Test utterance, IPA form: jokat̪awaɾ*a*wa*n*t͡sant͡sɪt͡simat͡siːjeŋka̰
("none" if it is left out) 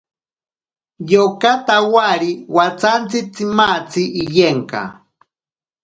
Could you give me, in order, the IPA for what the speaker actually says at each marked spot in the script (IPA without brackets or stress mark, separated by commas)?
i, none